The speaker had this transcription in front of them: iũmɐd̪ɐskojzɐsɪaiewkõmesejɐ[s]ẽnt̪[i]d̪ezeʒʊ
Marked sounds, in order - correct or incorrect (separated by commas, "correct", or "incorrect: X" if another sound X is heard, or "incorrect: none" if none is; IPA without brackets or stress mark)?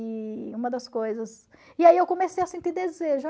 correct, correct